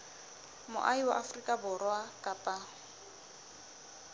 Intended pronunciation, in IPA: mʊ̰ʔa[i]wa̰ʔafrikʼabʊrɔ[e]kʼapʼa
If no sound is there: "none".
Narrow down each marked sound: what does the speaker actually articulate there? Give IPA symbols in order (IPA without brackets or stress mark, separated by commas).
i, a